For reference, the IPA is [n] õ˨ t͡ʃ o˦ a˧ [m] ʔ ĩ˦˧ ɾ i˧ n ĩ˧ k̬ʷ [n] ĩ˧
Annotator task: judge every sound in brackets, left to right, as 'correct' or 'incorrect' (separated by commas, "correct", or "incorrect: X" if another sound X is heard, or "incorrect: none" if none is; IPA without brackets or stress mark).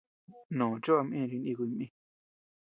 correct, correct, incorrect: m